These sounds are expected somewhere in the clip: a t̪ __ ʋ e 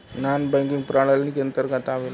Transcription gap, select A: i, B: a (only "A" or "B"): B